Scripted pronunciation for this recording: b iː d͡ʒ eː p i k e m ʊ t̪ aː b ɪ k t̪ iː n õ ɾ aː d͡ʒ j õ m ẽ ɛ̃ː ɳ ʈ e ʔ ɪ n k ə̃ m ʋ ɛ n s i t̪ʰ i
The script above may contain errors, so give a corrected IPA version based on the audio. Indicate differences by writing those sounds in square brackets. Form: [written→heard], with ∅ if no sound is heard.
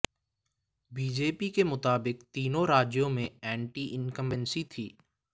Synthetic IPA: b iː d͡ʒ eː p i k e m ʊ t̪ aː b ɪ k t̪ iː n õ ɾ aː d͡ʒ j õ m ẽ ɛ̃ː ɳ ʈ [e→i] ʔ ɪ n k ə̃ m ʋ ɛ n s i t̪ʰ [i→iː]